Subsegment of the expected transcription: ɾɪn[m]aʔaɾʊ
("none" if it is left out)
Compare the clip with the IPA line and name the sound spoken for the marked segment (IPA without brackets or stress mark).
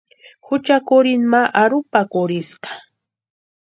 m